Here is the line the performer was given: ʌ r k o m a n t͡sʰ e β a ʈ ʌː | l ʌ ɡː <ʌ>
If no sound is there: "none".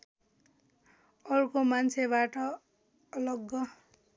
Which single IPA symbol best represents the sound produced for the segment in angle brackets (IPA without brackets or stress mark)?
ʌ